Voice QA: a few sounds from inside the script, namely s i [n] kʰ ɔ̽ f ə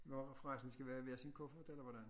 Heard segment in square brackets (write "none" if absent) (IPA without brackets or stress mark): n